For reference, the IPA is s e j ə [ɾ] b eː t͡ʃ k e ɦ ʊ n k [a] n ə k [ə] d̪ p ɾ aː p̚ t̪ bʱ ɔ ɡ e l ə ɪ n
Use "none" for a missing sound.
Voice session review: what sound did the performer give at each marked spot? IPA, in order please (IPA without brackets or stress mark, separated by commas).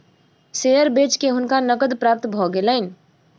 ɾ, a, ə